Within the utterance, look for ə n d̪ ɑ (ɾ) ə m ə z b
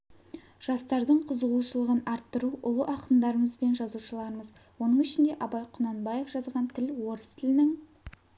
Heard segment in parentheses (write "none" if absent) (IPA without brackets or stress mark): ɾ